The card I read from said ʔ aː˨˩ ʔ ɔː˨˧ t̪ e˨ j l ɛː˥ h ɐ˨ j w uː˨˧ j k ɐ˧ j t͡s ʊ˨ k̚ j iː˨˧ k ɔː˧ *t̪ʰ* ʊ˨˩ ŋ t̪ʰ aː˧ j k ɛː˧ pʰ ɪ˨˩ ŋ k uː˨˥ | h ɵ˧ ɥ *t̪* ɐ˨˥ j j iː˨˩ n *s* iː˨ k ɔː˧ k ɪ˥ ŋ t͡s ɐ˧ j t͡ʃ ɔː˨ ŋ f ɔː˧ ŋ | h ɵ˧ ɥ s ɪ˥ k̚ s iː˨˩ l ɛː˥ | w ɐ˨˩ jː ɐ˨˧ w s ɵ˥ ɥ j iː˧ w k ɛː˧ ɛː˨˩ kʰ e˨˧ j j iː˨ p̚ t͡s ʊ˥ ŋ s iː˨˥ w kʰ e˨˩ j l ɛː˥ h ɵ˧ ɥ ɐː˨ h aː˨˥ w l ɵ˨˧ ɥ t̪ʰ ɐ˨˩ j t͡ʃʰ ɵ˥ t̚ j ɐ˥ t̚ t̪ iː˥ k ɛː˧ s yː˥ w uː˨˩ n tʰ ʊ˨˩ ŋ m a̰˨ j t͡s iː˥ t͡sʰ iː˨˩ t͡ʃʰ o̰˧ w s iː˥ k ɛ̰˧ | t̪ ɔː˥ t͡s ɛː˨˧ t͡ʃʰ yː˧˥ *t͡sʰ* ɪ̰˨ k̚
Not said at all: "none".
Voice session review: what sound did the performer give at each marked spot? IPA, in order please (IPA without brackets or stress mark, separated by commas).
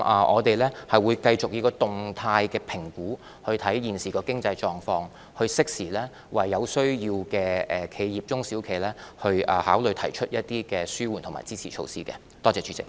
t̪, t̪ʰ, s, t͡s